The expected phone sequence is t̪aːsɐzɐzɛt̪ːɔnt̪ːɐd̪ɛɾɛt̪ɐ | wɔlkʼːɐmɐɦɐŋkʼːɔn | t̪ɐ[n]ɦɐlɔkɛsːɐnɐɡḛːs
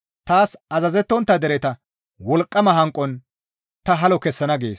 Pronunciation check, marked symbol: incorrect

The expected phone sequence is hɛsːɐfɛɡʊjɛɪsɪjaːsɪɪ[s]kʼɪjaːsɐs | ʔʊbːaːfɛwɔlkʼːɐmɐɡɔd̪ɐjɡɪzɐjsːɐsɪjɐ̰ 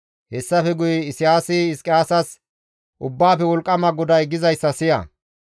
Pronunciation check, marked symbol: correct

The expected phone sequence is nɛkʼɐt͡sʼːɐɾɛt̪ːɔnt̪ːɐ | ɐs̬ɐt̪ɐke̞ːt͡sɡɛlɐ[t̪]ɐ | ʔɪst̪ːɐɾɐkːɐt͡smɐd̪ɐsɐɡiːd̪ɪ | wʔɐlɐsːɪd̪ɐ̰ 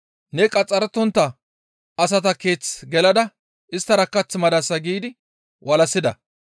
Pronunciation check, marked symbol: incorrect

